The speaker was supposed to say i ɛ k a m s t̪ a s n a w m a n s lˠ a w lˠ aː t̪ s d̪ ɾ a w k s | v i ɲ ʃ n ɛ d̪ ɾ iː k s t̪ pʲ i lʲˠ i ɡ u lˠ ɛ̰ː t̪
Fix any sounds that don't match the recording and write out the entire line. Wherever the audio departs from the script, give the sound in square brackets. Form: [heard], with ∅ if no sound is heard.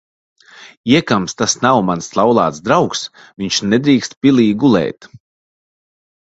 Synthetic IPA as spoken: i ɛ k a m s t̪ a s n a w m a n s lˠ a w lˠ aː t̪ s d̪ ɾ a w k s | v i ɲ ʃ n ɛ d̪ ɾ iː k s t̪ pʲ i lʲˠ [iː] ɡ u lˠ ɛ̰ː t̪